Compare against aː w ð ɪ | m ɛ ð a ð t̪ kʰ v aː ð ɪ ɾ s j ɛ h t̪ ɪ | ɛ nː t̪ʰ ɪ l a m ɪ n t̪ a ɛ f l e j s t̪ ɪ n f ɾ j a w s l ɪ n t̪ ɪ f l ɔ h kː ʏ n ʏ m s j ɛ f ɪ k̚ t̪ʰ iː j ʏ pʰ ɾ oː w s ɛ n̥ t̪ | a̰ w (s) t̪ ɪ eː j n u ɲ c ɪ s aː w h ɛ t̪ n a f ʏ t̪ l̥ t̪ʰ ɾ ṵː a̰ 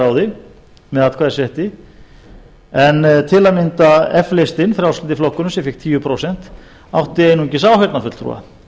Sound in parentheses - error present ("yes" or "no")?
yes